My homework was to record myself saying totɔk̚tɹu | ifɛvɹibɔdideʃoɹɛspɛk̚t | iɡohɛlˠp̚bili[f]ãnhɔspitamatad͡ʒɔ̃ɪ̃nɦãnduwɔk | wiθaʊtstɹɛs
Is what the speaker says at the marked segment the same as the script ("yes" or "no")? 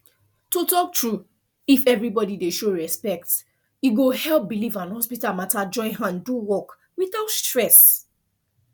no